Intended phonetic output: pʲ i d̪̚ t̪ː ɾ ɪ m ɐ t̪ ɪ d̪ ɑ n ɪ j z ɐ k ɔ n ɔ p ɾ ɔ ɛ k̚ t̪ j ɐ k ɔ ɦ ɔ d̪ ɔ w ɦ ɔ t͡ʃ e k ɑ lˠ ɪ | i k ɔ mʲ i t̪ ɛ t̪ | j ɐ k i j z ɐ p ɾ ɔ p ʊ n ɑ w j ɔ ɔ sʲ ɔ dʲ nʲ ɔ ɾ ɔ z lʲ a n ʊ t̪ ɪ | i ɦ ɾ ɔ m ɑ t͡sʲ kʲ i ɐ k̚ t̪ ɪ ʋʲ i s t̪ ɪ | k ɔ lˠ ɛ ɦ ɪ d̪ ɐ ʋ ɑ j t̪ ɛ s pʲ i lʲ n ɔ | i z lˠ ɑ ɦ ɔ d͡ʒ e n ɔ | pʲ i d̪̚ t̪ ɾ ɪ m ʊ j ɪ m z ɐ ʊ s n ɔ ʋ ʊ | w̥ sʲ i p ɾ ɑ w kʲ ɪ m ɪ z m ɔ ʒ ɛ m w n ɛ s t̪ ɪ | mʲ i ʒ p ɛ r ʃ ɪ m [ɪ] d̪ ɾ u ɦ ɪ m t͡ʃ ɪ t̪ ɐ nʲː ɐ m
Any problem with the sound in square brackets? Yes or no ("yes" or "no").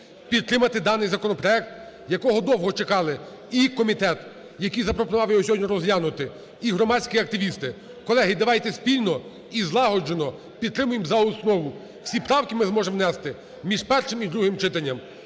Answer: yes